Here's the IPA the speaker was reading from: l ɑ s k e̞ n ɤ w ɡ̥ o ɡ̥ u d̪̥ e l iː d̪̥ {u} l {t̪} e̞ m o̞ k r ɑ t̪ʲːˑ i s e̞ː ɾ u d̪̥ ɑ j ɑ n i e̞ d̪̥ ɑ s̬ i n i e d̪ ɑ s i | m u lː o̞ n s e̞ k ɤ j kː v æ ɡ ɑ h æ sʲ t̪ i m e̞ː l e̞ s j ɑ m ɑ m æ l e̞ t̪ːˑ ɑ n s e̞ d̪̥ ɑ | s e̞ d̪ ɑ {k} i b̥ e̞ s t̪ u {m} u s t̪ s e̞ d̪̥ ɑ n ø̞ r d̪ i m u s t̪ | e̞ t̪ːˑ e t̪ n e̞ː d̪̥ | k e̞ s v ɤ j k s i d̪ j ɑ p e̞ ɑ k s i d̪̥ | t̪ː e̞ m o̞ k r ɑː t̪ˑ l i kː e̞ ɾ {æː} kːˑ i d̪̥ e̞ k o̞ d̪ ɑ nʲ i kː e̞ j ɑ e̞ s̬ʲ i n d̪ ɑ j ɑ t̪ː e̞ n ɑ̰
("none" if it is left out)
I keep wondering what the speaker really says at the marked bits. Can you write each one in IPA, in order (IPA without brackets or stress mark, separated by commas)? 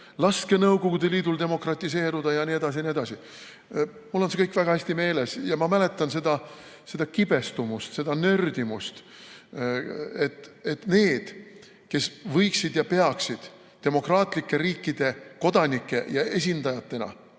u, d̪, k, m, iː